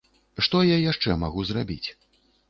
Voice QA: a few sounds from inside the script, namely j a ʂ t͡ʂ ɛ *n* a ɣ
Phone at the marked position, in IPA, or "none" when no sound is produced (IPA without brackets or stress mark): m